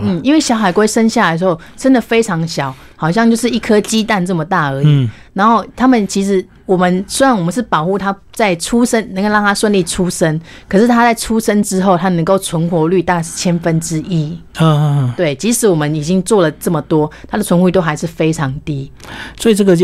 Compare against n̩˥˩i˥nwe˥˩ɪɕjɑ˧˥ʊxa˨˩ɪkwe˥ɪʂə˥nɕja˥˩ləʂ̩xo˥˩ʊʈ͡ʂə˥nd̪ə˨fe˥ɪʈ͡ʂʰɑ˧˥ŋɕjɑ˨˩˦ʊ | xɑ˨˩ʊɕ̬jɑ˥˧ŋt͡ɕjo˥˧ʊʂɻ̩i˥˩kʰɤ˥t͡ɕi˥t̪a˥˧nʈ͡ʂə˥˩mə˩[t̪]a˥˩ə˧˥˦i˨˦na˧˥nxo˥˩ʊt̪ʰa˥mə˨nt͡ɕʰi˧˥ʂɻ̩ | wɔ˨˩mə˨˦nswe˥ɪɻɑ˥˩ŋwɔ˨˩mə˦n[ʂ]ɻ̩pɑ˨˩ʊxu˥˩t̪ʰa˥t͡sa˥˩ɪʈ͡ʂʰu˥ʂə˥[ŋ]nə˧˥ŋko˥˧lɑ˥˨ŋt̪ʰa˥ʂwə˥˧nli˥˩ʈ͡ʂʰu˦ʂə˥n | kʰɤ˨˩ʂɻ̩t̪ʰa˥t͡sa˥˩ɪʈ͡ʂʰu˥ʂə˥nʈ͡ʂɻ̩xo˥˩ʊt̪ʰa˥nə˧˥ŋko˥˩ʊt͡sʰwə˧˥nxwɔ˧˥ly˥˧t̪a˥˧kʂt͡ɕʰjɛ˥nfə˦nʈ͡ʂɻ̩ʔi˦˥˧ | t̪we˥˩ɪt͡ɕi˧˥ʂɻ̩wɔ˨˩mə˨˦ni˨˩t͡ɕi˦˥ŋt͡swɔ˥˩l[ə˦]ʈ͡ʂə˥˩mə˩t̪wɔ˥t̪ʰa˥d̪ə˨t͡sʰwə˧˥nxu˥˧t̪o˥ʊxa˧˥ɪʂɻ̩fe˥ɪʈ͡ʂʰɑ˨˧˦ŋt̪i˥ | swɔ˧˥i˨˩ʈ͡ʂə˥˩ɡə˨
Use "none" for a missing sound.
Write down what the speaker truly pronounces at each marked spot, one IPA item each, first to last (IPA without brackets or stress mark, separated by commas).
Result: t̪, ʂ, n, ə˩